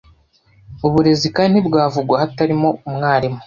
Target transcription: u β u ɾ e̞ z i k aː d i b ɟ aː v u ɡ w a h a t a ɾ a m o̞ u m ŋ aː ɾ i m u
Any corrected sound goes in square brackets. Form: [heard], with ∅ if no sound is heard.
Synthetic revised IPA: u β u ɾ e̞ z i k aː [n] i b [ɡ] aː v u ɡ w a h a t a ɾ [i] m o̞ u m ŋ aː ɾ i m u